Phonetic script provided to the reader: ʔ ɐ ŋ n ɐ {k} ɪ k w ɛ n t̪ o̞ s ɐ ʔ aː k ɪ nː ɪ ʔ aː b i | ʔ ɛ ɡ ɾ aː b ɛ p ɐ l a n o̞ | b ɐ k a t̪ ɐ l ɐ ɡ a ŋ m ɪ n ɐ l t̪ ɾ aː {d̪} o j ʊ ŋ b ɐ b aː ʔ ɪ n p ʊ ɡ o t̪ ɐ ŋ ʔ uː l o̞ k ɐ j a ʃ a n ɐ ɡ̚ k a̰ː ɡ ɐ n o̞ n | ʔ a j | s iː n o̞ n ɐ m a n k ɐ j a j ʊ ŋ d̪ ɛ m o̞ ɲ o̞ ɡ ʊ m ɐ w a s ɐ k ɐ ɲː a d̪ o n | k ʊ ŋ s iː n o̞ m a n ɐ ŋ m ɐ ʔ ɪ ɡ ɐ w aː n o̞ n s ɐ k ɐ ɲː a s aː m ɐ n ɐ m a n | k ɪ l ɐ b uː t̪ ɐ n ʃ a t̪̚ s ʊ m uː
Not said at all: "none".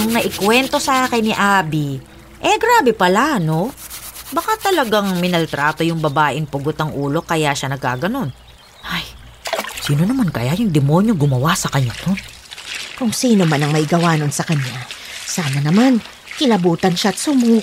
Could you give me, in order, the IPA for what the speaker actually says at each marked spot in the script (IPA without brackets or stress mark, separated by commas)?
ʔ, t̪